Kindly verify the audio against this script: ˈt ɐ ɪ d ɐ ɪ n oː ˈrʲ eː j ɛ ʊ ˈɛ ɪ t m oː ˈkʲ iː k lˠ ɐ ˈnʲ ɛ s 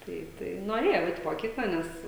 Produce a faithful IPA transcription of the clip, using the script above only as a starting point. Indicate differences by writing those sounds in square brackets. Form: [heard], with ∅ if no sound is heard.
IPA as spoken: ˈt ɐ ɪ [t] ɐ ɪ n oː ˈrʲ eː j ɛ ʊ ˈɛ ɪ t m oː ˈkʲ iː k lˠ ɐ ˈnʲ ɛ s